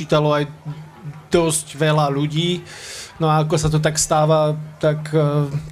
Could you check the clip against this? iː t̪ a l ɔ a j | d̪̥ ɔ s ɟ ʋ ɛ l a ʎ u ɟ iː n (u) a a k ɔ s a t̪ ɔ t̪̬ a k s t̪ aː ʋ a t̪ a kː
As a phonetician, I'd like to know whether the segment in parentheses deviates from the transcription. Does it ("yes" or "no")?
yes